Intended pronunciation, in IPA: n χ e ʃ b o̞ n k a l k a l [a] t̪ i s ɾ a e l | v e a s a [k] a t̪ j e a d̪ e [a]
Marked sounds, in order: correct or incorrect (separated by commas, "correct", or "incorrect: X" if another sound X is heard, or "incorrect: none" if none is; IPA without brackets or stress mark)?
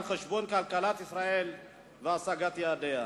correct, incorrect: ɡ, correct